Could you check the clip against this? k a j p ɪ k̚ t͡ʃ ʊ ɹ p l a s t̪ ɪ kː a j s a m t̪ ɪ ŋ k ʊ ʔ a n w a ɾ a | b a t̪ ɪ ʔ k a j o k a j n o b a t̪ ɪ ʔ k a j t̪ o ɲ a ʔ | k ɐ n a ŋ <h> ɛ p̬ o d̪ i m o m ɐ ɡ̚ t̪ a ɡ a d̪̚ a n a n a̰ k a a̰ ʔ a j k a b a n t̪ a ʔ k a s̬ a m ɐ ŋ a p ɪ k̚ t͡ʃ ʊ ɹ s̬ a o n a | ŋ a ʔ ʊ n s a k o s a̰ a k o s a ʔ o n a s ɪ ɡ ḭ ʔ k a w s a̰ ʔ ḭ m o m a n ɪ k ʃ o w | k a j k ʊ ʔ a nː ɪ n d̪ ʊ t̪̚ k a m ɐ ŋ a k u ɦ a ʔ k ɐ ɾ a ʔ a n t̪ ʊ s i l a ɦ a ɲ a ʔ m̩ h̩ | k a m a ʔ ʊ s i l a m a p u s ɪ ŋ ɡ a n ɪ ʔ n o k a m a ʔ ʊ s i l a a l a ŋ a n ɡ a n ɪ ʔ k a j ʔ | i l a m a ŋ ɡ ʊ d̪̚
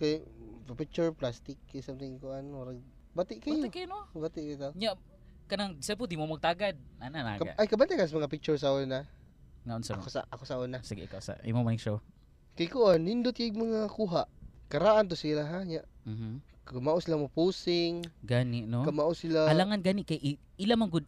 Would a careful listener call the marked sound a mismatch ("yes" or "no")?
yes